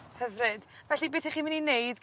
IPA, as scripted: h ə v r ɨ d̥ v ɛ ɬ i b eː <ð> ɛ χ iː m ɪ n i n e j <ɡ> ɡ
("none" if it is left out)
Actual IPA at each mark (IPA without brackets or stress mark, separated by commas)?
θ, d